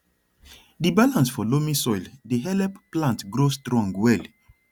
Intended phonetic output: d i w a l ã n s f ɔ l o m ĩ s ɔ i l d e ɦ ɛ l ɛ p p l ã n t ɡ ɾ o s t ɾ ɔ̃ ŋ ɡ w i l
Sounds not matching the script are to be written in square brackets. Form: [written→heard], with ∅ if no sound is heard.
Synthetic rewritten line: d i [w→b] a l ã n s f ɔ l o m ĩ s ɔ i l d e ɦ ɛ l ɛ p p l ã n t ɡ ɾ o s t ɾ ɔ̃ ŋ ɡ w [i→ɛ] l